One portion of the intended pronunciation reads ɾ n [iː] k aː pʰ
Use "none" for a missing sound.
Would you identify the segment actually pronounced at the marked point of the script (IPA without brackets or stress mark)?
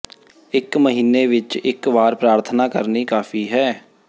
iː